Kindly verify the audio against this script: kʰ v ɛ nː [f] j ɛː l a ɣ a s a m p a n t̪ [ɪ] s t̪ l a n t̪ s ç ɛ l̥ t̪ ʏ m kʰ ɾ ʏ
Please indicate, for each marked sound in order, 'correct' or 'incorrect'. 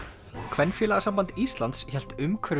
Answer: correct, incorrect

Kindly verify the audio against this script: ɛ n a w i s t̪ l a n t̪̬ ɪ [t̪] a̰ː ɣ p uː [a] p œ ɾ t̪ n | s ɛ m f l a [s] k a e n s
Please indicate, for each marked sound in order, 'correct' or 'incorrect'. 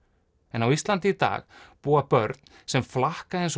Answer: correct, correct, incorrect

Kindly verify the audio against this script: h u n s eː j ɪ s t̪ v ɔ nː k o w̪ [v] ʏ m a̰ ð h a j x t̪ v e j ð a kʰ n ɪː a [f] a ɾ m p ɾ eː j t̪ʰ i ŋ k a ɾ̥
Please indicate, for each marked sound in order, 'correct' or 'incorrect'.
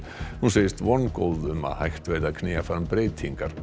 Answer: incorrect, correct

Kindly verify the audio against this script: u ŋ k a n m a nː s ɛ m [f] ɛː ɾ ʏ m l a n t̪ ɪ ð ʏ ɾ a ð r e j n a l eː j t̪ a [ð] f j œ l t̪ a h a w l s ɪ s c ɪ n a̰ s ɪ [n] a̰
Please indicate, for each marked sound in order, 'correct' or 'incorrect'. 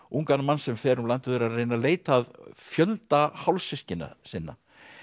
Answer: correct, correct, incorrect

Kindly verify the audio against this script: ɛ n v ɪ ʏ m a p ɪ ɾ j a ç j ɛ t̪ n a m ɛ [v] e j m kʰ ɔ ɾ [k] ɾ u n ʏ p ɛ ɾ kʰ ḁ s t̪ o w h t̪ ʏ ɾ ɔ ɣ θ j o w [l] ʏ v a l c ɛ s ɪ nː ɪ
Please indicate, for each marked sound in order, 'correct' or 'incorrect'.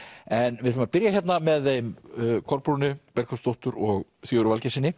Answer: incorrect, incorrect, incorrect

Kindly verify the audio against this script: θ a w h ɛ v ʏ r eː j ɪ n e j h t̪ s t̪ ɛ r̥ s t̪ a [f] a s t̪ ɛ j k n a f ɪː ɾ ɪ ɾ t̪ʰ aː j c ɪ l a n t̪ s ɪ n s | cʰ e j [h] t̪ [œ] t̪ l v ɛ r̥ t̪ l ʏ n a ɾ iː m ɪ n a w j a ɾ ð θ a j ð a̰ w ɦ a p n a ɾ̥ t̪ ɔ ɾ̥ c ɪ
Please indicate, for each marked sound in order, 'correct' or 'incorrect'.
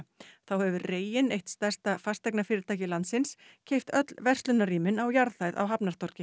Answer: correct, incorrect, correct

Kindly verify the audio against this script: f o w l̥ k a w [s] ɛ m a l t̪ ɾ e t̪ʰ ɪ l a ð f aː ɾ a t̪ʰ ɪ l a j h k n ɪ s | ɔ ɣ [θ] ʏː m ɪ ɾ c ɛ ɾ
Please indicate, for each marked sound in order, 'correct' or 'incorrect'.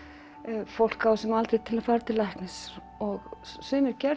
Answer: correct, incorrect

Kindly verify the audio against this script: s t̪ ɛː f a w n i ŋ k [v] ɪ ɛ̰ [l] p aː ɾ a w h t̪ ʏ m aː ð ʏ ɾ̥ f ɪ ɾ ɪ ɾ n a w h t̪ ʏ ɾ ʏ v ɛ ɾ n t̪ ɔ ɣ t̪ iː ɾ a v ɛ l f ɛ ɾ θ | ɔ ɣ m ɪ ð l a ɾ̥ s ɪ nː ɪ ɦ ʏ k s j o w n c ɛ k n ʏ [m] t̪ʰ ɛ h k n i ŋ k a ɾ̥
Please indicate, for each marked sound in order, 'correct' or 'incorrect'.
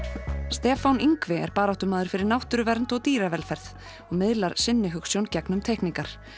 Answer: correct, incorrect, correct

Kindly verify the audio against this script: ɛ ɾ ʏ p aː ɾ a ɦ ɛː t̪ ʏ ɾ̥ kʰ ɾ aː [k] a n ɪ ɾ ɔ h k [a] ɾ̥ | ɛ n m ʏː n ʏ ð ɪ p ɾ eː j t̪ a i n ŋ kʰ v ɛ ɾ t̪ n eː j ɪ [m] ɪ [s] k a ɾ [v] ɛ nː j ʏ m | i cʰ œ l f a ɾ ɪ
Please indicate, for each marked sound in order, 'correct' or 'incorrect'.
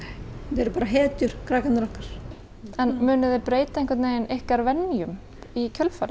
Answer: correct, correct, incorrect, incorrect, correct

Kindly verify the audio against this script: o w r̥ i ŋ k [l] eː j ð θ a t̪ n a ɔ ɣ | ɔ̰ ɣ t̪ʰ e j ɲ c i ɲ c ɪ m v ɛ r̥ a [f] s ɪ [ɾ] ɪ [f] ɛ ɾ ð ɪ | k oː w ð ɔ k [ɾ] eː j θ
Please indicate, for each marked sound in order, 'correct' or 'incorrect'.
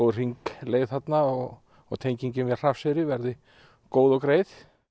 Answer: correct, correct, correct, incorrect, correct

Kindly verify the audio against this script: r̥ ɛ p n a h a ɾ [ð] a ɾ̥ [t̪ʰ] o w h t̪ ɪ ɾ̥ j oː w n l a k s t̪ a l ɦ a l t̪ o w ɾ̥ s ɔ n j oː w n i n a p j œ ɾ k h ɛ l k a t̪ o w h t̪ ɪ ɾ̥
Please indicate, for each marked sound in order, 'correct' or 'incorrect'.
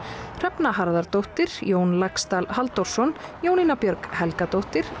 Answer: correct, incorrect

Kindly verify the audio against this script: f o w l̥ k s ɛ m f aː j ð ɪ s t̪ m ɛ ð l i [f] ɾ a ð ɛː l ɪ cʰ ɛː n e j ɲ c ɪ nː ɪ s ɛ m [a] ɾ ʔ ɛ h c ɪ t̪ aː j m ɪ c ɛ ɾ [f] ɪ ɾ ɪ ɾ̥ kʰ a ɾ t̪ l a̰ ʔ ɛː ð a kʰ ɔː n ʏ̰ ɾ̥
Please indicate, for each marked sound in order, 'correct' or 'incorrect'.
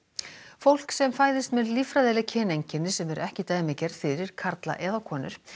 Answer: correct, incorrect, correct

